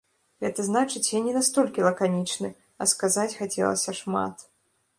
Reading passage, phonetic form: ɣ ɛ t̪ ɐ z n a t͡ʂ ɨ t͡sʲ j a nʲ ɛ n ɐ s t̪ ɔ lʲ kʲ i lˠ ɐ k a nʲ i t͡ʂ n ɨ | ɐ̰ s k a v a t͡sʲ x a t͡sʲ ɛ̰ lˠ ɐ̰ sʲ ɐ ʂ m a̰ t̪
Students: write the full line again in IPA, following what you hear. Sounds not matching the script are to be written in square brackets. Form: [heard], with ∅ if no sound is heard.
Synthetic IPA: ɣ ɛ t̪ ɐ z n a t͡ʂ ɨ t͡sʲ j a nʲ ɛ n [a] s t̪ ɔ lʲ kʲ i lˠ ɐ k a nʲ i t͡ʂ n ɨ | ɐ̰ s k a [z] a t͡sʲ x a t͡sʲ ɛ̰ lˠ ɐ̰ sʲ ɐ ʂ m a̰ t̪